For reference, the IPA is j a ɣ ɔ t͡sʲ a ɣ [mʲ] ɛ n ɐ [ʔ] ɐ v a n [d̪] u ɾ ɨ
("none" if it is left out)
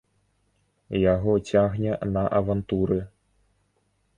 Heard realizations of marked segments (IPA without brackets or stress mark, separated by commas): nʲ, ʔ, t̪